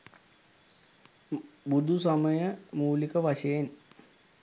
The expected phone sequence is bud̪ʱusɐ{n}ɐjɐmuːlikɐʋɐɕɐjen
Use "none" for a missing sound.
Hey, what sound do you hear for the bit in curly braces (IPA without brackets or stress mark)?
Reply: m